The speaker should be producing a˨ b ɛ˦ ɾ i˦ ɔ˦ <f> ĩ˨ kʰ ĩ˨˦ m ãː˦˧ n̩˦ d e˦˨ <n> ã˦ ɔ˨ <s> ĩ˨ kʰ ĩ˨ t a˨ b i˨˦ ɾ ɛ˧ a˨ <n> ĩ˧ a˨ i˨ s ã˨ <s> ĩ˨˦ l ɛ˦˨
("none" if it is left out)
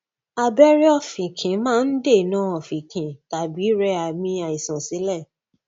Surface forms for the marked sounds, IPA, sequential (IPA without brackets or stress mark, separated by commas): f, n, f, m, s